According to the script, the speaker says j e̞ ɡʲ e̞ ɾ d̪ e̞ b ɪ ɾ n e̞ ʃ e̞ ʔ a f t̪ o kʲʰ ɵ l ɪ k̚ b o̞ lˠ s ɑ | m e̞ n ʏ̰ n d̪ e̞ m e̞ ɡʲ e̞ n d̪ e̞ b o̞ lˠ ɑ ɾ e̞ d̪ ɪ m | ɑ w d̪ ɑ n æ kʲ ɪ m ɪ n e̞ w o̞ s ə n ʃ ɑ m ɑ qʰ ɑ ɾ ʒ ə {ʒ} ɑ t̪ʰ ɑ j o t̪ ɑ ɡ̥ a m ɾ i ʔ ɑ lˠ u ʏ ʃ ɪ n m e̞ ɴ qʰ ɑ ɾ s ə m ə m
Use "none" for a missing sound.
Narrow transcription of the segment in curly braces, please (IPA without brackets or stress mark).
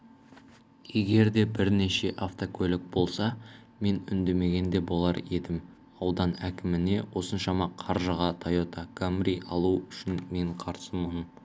ʁ